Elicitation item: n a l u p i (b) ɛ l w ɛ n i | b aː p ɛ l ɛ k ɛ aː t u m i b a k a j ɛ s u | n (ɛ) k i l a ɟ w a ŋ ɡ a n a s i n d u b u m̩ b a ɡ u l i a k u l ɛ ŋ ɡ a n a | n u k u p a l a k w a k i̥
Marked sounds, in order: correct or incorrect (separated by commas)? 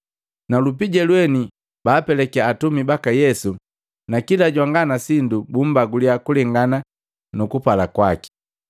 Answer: incorrect, incorrect